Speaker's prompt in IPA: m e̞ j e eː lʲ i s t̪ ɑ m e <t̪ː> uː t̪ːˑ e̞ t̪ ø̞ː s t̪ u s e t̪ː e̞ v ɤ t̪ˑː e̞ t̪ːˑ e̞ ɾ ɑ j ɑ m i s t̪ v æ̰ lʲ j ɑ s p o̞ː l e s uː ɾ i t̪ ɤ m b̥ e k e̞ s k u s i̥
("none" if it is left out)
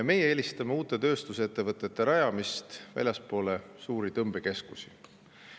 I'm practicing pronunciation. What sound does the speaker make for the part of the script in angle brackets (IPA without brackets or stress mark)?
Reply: none